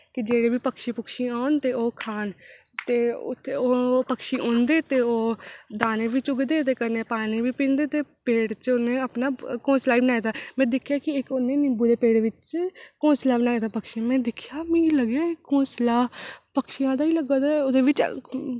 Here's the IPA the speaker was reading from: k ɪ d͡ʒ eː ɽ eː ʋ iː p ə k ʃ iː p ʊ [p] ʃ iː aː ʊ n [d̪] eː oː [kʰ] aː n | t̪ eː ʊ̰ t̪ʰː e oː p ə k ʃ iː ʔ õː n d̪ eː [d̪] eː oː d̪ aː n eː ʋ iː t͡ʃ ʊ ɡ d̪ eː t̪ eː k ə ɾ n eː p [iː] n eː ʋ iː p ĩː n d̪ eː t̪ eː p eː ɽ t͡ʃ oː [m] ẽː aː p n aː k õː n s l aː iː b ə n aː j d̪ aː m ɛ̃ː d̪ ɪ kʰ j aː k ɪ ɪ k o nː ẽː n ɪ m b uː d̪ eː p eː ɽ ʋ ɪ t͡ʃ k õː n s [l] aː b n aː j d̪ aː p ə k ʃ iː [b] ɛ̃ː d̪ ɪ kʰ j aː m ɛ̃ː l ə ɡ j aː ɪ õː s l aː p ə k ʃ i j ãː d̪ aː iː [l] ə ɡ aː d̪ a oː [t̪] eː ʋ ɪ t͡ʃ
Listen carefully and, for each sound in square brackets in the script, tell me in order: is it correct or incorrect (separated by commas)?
incorrect, incorrect, correct, incorrect, incorrect, incorrect, correct, incorrect, correct, incorrect